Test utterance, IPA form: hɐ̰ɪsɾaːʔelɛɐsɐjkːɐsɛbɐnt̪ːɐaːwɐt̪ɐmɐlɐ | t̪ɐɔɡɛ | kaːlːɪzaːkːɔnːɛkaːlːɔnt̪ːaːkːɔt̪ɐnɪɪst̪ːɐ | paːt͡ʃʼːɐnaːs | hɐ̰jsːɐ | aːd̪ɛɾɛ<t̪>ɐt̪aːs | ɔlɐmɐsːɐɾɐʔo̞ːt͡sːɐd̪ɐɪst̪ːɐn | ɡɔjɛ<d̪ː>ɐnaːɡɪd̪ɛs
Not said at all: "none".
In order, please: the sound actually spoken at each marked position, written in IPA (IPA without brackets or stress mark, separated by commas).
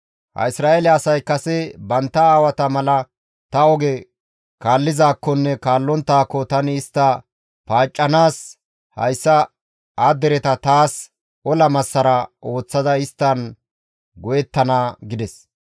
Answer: t̪, t̪ː